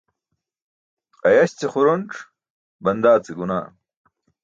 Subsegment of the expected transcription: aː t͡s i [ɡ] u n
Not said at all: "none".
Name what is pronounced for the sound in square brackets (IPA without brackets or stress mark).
ɡ